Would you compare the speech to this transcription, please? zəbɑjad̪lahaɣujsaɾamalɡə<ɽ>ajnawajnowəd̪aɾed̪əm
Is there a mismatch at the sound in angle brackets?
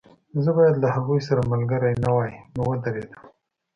yes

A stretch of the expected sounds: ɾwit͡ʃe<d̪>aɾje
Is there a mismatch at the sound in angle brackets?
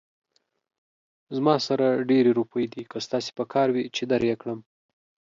no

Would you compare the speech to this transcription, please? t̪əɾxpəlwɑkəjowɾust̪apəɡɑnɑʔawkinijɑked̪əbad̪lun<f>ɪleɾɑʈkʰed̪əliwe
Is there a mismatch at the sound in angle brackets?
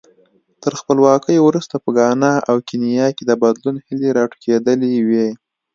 yes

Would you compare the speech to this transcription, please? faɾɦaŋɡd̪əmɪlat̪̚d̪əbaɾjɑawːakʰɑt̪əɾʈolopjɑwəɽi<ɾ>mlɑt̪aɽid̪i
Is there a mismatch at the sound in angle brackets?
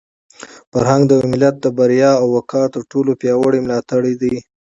yes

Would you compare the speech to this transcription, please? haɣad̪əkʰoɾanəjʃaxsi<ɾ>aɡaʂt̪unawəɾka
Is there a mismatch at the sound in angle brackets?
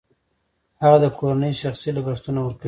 yes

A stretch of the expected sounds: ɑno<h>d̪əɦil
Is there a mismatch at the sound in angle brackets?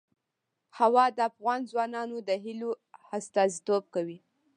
yes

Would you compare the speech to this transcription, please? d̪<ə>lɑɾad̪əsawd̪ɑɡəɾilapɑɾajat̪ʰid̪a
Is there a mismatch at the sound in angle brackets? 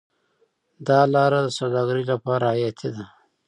yes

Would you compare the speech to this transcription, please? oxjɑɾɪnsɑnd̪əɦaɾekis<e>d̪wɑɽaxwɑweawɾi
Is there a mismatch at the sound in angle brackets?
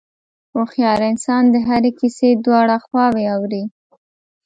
no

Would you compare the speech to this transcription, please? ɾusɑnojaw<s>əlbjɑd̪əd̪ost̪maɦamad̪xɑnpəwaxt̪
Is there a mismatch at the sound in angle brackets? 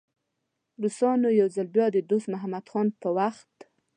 yes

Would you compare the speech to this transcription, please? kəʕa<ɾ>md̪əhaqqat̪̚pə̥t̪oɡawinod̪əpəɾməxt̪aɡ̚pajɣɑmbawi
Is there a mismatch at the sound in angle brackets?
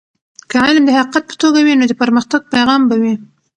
yes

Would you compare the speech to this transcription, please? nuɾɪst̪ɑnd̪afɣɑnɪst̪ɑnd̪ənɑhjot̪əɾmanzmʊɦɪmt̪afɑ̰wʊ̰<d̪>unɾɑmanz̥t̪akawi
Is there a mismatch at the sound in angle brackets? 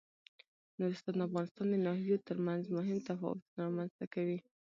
yes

